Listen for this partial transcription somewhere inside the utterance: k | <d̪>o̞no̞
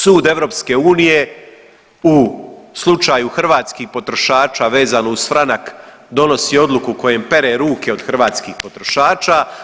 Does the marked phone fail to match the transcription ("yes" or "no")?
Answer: no